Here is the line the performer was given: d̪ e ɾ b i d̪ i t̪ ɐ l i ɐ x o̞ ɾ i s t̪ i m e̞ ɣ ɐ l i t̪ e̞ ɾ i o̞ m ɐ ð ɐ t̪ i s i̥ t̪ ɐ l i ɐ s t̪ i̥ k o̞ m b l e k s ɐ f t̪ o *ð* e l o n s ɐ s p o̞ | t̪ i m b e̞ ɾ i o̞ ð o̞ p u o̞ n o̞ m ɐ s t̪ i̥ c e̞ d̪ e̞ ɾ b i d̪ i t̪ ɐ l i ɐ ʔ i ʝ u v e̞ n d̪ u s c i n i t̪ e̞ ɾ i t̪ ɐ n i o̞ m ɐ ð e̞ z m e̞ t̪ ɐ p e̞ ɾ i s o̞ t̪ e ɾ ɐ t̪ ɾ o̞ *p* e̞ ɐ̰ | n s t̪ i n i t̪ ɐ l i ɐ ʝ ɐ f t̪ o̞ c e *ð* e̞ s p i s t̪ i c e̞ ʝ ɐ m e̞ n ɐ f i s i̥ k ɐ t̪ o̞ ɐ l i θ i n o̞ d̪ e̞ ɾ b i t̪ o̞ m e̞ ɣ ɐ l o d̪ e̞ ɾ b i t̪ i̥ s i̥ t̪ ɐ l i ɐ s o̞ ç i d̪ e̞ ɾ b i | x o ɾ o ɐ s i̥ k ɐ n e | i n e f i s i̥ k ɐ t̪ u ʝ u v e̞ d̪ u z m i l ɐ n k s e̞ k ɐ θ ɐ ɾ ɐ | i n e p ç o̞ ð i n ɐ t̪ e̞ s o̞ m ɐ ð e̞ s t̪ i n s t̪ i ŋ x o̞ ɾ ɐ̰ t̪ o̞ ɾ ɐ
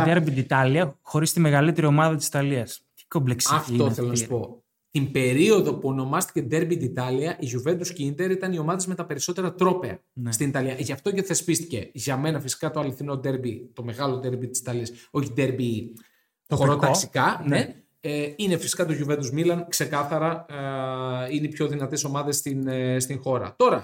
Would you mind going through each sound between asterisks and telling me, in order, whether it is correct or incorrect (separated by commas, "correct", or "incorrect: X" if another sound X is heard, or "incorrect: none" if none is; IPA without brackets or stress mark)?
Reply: incorrect: θ, correct, incorrect: θ